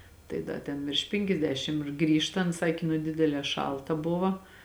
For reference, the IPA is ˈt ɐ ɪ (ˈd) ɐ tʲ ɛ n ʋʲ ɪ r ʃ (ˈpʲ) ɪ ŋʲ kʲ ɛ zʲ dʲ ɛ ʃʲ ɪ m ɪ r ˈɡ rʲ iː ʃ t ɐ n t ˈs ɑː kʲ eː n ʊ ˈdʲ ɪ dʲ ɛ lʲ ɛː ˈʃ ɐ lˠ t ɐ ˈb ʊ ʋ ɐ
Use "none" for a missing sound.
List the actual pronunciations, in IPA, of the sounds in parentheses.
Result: d, pʲ

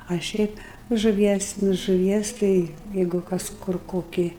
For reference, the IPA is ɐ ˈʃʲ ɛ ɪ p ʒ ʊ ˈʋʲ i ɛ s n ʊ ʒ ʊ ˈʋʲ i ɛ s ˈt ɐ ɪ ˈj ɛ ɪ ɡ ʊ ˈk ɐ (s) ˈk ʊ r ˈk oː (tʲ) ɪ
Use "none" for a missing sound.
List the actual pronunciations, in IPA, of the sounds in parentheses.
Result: s, kʲ

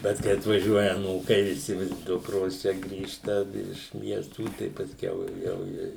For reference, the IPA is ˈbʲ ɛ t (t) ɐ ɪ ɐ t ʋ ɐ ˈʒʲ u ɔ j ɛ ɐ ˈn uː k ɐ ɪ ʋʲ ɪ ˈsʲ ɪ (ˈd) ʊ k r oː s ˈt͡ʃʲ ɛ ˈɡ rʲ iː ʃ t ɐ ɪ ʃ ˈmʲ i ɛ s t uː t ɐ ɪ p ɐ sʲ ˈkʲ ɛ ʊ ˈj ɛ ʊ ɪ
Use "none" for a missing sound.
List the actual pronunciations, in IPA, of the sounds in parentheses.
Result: k, d

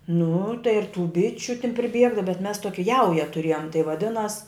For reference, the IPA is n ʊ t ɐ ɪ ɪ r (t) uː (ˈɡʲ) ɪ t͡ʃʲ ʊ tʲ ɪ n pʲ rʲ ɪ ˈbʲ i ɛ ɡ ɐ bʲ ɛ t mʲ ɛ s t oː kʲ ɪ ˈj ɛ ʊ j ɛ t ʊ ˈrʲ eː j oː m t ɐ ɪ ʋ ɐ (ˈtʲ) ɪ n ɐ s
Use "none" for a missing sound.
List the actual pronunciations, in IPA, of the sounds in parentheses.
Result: t, bʲ, dʲ

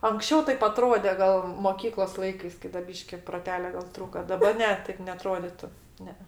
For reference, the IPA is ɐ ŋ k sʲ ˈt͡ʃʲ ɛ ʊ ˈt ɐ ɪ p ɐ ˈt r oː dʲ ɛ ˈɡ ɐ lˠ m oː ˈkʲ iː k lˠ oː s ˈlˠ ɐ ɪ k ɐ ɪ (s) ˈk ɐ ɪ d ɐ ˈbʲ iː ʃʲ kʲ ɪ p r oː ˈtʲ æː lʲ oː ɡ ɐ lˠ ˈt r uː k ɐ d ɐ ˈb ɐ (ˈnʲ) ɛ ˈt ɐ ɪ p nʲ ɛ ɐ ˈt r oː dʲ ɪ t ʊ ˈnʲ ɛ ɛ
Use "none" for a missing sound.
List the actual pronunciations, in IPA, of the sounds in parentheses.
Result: s, nʲ

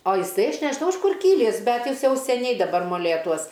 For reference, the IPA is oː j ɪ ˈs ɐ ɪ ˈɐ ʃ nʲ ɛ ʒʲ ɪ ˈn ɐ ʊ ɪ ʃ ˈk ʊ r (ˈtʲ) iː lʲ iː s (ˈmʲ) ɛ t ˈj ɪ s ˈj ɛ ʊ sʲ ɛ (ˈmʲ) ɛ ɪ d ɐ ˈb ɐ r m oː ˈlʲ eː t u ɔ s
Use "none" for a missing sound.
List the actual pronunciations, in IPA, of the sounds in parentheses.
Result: kʲ, bʲ, nʲ

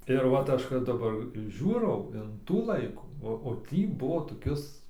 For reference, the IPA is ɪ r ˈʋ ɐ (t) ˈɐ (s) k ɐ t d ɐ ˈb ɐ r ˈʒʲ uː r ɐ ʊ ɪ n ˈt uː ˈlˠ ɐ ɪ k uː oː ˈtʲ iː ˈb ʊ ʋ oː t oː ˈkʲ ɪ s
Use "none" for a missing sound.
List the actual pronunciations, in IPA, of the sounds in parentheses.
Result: t, ʃ

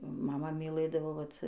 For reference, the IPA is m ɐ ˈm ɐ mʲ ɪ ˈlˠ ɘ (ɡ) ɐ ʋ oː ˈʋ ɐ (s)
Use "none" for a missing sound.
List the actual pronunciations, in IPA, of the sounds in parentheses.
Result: d, t

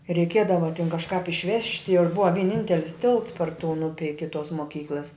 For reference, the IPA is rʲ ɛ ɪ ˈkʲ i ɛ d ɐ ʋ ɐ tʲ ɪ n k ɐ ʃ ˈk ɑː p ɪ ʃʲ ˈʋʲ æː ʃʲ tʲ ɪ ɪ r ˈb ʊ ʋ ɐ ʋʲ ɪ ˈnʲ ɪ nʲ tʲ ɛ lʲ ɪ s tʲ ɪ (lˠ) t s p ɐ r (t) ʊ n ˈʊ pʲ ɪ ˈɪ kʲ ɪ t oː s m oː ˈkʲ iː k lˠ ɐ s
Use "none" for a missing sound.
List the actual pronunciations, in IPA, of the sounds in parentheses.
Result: lˠ, t

